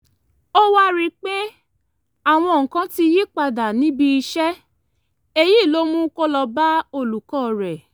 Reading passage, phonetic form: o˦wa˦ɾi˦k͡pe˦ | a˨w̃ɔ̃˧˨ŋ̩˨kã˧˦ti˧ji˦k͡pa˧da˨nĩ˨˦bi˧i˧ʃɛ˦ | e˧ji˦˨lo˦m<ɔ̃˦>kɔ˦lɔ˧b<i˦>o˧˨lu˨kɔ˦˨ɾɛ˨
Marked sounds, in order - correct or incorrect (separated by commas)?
incorrect, incorrect